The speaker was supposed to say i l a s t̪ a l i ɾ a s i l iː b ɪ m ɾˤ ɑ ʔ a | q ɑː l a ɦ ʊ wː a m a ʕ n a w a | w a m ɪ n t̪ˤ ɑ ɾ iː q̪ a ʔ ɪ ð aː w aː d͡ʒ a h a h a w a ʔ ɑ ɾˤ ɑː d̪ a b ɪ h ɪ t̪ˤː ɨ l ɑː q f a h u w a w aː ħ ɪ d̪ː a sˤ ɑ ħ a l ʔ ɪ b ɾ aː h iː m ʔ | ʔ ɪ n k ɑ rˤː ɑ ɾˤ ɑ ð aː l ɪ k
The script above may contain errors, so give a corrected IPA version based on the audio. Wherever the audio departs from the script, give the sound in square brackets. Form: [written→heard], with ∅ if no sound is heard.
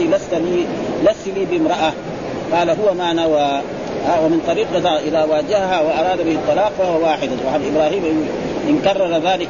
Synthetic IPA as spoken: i l a s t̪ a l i [ɾ→l] a s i l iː b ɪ m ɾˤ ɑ ʔ a | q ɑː l a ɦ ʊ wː a m a ʕ n a w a | w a m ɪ n t̪ˤ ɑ ɾ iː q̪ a ʔ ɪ ð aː w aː d͡ʒ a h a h a w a ʔ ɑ ɾˤ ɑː d̪ a b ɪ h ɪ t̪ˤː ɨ l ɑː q f a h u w a w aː ħ ɪ [d̪ː→d̪] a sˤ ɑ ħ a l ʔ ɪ b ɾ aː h iː m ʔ | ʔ ɪ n k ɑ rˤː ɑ ɾˤ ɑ ð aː l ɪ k